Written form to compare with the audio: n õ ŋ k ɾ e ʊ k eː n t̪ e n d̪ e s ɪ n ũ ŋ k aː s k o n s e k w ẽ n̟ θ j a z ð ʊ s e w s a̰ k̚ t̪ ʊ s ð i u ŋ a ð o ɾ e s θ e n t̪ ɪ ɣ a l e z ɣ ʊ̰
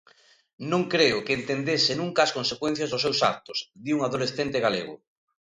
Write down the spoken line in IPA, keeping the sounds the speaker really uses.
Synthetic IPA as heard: n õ ŋ k ɾ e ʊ k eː n t̪ e n d̪ e s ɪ n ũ ŋ k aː s k o n s e k w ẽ n̟ θ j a z ð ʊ s e w s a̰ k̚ t̪ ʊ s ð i u ŋ a ð o l e s θ e n t̪ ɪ ɣ a l e ɣ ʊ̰